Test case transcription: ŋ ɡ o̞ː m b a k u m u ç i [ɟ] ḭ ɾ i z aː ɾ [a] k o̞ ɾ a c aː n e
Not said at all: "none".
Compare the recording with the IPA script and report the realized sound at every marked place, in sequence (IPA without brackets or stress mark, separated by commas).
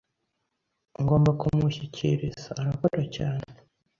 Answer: c, a